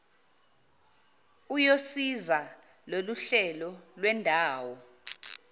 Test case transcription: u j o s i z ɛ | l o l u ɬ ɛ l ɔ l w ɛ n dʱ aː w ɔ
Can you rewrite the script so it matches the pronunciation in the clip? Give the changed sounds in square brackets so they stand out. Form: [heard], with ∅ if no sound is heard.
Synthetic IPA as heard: u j o s i z [a] | l o l u ɬ ɛ l ɔ l w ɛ n dʱ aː w ɔ